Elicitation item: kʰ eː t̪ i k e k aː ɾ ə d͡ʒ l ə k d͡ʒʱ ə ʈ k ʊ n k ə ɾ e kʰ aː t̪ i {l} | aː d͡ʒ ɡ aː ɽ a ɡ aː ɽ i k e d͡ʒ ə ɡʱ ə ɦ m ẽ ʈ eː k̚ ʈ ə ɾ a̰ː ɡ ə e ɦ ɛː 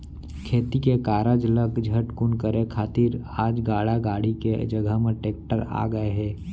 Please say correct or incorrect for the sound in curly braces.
incorrect